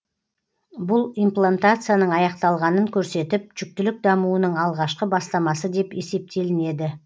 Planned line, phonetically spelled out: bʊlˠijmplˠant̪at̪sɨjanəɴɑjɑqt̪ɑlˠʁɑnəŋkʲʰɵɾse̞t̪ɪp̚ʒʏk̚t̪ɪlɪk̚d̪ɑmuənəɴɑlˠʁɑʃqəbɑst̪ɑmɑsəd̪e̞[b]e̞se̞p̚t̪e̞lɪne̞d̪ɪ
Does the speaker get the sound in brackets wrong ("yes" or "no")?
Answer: yes